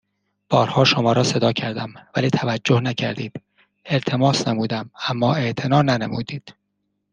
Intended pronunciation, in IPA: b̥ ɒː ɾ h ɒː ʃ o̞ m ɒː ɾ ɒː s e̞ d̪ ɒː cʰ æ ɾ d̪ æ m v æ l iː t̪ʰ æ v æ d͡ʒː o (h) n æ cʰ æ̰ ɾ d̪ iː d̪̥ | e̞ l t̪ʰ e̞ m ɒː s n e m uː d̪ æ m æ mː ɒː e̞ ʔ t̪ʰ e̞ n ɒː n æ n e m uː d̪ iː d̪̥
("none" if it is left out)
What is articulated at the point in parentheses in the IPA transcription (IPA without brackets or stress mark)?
h